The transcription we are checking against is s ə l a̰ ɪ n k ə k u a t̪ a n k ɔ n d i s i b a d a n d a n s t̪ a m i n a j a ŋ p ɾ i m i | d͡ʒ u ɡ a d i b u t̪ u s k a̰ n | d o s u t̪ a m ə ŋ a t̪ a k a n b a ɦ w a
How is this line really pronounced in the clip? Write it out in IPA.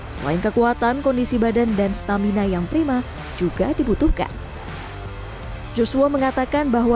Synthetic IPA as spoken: s ə l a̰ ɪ n k ə k u a t̪ a n k ɔ n d i s i b a d a n d a n s t̪ a m i n a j a ŋ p ɾ i m a | d͡ʒ u ɡ a d i b u t̪ u h k a̰ n | d͡ʒ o s u a m ə ŋ a t̪ a k a n b a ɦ w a